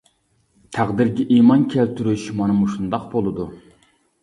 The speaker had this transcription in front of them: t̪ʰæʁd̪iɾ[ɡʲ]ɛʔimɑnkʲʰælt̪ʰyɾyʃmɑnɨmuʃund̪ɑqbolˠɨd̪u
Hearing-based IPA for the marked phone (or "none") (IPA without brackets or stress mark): ɡʲ